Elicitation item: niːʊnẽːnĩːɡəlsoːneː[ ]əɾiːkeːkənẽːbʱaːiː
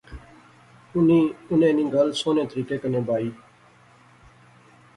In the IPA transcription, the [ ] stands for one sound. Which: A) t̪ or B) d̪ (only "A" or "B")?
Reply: A